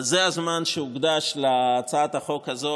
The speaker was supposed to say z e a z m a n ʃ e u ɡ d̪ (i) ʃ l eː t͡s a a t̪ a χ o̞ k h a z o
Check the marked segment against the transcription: incorrect: a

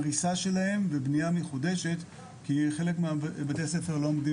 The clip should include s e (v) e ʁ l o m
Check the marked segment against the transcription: incorrect: f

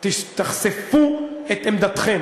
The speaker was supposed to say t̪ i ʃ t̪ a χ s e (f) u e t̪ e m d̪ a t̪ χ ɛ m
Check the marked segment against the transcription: correct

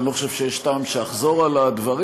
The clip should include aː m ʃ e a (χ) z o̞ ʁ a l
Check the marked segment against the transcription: correct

